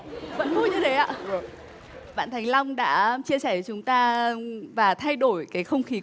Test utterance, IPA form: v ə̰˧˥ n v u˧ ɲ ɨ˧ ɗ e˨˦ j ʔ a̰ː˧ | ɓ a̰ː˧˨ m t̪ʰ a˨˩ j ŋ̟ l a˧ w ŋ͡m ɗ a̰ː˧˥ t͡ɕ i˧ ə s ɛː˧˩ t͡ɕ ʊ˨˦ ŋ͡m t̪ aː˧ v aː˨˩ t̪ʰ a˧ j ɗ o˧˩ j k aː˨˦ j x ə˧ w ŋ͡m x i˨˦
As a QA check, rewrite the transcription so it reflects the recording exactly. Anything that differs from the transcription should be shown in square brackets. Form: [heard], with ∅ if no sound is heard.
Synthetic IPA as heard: v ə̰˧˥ n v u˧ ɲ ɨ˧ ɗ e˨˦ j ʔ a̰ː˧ | ɓ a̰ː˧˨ [n] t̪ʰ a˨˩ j ŋ̟ l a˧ w ŋ͡m ɗ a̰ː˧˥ t͡ɕ i˧ ə s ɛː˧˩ t͡ɕ ʊ˨˦ ŋ͡m t̪ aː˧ v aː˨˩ t̪ʰ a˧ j ɗ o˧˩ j k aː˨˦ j x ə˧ w ŋ͡m x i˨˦

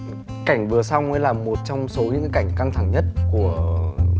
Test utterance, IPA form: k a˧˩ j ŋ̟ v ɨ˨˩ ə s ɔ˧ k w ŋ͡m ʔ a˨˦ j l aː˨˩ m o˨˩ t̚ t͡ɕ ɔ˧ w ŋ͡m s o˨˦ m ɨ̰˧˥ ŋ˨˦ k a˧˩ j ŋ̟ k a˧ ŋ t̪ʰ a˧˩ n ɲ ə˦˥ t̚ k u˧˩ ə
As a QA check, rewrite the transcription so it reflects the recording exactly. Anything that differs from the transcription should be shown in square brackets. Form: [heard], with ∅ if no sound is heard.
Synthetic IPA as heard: k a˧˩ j ŋ̟ v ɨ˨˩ ə s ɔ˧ [∅] w ŋ͡m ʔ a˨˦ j l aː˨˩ m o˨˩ t̚ t͡ɕ ɔ˧ w ŋ͡m s o˨˦ [ɲ] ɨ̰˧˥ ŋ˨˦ k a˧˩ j ŋ̟ k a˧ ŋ t̪ʰ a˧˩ [ŋ] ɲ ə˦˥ t̚ k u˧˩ ə

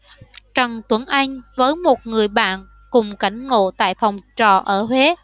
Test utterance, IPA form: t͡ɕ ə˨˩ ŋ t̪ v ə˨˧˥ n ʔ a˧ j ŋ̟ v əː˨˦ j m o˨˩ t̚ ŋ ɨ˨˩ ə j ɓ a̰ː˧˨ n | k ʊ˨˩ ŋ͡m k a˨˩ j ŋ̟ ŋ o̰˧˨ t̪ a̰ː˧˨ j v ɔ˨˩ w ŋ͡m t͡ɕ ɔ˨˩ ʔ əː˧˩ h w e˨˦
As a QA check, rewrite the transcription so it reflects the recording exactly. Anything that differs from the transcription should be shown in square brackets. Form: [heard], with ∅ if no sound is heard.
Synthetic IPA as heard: t͡ɕ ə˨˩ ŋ t̪ [w] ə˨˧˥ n ʔ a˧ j ŋ̟ v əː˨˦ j m o˨˩ t̚ ŋ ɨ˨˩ ə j ɓ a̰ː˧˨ n | k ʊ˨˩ ŋ͡m k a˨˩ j ŋ̟ ŋ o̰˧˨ t̪ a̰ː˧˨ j [f] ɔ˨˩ w ŋ͡m t͡ɕ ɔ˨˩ ʔ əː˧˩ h w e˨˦

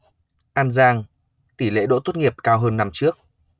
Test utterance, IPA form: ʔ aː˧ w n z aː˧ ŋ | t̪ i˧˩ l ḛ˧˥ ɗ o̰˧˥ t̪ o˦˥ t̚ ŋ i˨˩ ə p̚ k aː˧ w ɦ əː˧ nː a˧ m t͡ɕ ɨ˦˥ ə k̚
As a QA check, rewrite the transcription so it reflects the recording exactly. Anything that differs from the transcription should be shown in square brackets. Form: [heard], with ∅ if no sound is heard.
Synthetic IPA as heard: ʔ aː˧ [∅] n z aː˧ ŋ | t̪ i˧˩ l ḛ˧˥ ɗ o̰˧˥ t̪ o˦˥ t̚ ŋ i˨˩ ə p̚ k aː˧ w ɦ əː˧ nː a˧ m t͡ɕ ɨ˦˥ ə k̚

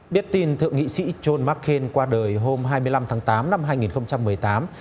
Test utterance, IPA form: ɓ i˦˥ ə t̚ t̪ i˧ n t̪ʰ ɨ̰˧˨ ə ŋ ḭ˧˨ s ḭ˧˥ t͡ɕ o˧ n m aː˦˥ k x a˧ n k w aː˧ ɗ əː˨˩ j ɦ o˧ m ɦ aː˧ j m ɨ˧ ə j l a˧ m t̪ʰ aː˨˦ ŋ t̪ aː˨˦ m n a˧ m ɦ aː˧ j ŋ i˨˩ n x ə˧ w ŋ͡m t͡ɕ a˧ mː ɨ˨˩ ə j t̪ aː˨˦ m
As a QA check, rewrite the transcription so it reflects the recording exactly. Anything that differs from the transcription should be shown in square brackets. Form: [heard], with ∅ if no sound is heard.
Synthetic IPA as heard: ɓ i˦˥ ə t̚ t̪ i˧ n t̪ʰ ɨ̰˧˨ ə ŋ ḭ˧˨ s ḭ˧˥ t͡ɕ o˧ n m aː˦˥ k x [e˧] n k w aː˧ ɗ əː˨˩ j ɦ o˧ m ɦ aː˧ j m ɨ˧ ə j l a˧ m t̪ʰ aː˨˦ ŋ t̪ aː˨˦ m n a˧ m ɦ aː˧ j ŋ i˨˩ n x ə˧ w ŋ͡m t͡ɕ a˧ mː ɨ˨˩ ə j t̪ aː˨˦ m

